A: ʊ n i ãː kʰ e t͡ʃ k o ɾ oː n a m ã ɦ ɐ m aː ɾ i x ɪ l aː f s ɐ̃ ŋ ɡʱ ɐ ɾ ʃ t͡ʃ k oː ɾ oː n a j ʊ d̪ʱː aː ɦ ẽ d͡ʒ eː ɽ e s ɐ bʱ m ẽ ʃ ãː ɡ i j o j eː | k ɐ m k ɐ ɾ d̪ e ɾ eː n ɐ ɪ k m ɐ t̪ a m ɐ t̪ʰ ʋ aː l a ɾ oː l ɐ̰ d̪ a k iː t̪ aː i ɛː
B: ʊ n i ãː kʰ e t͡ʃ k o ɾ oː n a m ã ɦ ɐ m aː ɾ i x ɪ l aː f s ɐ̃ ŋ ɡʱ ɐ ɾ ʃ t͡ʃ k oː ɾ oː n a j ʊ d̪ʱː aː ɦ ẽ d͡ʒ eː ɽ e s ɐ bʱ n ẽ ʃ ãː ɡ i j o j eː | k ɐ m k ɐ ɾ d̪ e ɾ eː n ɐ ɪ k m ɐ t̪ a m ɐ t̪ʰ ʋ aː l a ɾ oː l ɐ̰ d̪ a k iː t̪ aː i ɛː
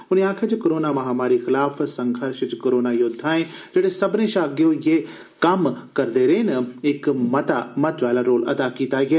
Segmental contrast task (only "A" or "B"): B